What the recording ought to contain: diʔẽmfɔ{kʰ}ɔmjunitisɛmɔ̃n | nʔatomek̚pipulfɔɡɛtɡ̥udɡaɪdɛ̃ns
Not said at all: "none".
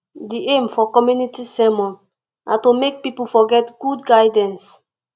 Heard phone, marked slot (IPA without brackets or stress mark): k